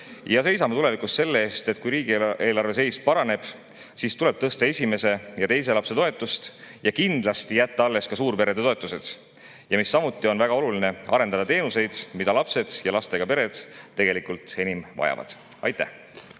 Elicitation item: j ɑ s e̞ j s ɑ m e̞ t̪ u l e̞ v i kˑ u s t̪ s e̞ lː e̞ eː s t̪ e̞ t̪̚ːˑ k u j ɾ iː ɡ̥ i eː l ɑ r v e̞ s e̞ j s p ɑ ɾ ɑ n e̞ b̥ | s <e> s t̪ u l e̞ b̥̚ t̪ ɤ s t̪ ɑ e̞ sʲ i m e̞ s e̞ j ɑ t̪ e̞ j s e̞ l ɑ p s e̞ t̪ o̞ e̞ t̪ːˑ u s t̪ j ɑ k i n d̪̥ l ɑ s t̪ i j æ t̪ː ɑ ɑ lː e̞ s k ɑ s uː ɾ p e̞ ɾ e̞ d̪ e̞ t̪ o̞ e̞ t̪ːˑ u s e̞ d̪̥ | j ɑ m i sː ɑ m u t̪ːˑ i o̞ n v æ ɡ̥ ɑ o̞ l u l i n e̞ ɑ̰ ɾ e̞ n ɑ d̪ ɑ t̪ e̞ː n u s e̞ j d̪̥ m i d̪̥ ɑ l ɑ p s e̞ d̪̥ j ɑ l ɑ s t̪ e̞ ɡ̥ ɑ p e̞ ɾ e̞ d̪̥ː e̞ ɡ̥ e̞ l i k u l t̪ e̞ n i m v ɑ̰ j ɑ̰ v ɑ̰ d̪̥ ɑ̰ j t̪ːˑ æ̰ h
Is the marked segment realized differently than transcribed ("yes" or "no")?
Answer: yes